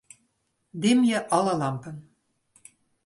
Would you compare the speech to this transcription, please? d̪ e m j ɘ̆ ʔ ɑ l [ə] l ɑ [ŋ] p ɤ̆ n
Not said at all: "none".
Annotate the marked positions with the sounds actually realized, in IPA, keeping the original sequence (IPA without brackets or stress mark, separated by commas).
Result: ɑ, m